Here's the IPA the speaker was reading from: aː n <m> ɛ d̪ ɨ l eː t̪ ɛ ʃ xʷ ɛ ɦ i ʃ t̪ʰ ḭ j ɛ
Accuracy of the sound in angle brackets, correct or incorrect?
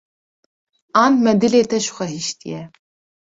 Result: correct